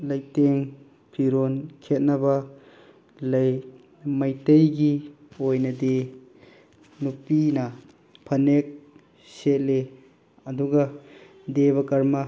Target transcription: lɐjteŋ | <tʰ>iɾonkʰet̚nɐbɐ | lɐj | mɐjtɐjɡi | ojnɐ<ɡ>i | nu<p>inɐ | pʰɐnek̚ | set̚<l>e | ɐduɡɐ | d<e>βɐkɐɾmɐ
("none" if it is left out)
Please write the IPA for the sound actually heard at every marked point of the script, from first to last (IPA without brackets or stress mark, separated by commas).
pʰ, d, p, l, e